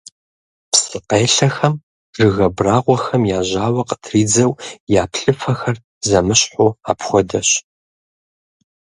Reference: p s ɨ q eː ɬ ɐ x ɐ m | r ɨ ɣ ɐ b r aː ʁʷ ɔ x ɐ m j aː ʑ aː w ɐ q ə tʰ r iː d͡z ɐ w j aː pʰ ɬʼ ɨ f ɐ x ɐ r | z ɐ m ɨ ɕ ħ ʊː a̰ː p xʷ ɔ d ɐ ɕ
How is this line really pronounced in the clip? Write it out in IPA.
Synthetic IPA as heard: p s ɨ q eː ɬ ɐ x ɐ m | r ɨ ɣ ɐ b r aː ʁʷ ɔ x ɐ m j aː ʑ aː w ɐ q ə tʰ r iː d͡z ɐ w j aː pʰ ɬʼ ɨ f ɐ x ɐ r | z ɐ m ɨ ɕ ħ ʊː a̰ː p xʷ ɔ d ɐ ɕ